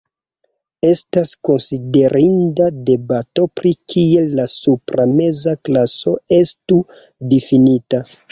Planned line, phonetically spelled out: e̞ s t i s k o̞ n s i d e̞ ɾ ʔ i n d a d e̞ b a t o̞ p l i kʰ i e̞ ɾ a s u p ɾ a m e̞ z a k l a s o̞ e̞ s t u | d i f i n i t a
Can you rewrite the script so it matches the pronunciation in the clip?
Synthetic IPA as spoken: e̞ s t a s k o̞ n s i d e̞ ɾ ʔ i n d a d e̞ b a t o̞ p ɾ i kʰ i e̞ l a s u p ɾ a m e̞ z a k l a s o̞ e̞ s t u | d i f i n i t a